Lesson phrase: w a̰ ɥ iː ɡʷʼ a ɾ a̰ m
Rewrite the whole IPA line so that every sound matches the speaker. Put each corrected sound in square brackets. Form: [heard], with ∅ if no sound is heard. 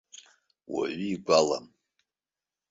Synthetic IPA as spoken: w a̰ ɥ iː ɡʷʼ a [l] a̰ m